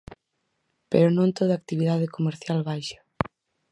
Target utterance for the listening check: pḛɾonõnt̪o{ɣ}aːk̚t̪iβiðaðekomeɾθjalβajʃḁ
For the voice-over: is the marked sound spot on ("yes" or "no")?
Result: no